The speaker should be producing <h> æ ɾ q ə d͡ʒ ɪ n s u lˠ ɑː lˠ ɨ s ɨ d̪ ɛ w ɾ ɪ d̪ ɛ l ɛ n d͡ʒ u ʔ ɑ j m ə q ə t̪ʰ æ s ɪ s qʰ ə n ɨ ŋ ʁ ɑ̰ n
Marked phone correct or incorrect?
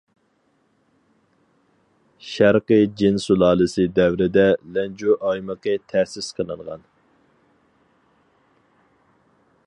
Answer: incorrect